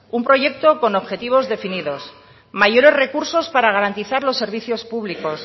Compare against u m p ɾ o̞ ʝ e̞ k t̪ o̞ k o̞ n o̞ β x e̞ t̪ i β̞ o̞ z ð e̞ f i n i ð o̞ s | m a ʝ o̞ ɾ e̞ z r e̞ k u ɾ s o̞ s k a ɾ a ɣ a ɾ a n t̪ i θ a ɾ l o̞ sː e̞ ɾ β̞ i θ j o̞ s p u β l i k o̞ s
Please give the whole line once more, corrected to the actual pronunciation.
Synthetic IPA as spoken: u m p ɾ o̞ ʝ e̞ k t̪ o̞ k o̞ n o̞ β x e̞ t̪ i β̞ o̞ z ð e̞ f i n i ð o̞ s | m a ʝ o̞ ɾ e̞ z r e̞ k u ɾ s o̞ s p a ɾ a ɣ a ɾ a n t̪ i θ a ɾ l o̞ sː e̞ ɾ β̞ i θ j o̞ s p u β l i k o̞ s